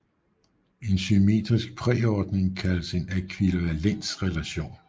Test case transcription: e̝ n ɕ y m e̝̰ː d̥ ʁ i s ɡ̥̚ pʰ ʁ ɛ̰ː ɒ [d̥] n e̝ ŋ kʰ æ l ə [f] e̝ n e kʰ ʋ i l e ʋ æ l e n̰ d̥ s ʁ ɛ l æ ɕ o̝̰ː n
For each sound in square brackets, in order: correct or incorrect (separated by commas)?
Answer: correct, incorrect